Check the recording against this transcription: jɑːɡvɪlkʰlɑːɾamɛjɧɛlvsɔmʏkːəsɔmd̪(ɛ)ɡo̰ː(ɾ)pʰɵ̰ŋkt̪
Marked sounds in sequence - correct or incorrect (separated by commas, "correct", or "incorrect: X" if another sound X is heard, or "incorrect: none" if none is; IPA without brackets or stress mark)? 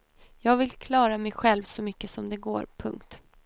correct, correct